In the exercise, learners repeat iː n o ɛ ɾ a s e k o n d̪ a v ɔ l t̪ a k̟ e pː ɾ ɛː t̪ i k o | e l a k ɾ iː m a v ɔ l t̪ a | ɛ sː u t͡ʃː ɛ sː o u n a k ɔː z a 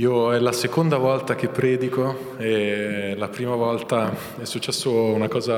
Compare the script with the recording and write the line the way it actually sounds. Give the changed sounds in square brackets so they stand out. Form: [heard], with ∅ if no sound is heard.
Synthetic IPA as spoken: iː [∅] o ɛ [l] a s e k o n d̪ a v ɔ l t̪ a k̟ e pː ɾ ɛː [d̪] i k o | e l a [p] ɾ iː m a v ɔ l t̪ a | ɛ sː u t͡ʃː ɛ sː o u n a k ɔː z a